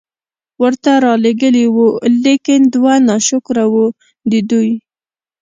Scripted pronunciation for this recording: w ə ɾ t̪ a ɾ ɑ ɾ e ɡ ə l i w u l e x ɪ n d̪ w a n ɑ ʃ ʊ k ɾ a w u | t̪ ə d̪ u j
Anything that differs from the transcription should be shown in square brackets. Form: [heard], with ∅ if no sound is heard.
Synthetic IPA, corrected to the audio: w ə ɾ t̪ a ɾ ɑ [l] e ɡ ə l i w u l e [k] ɪ n d̪ w a n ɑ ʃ ʊ k ɾ a w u | [d̪] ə d̪ u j